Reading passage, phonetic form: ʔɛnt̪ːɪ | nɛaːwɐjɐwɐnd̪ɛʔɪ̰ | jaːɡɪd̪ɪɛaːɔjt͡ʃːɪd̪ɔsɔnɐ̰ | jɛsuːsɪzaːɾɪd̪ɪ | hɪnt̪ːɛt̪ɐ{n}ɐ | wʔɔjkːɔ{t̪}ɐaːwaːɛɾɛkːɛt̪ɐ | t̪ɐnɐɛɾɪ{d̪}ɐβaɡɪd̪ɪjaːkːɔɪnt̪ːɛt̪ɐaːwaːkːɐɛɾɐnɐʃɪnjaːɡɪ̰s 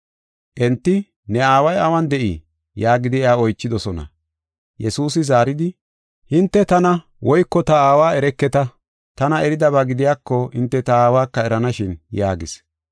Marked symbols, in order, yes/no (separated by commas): yes, yes, yes